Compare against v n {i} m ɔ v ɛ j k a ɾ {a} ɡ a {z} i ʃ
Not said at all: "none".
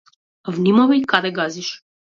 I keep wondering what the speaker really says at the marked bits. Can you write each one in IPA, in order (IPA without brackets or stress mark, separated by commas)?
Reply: i, ɛ, z